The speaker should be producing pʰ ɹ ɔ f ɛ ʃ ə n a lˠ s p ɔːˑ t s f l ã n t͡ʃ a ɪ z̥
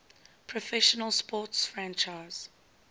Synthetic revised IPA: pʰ ɹ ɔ f ɛ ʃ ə n ə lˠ s p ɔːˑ t s f ɹ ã n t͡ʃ a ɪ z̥